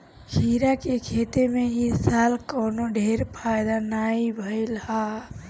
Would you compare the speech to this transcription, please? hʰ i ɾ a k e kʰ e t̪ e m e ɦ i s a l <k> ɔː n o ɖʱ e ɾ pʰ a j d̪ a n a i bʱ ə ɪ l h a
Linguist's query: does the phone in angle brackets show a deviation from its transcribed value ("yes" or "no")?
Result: no